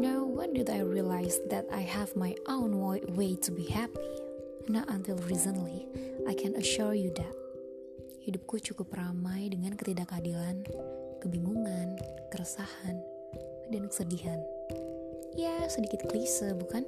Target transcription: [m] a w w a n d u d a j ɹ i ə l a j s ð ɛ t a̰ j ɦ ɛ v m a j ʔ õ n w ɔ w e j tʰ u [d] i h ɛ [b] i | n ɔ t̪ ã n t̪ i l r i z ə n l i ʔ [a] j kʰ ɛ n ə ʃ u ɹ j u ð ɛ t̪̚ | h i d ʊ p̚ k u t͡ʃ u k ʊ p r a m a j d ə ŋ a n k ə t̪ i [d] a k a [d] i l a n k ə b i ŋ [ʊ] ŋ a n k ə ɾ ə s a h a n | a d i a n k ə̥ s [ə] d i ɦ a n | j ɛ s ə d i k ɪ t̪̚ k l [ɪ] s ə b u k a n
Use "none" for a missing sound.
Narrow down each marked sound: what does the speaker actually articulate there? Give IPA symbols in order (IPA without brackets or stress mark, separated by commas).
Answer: n, b, p, a, d, d, u, ə, i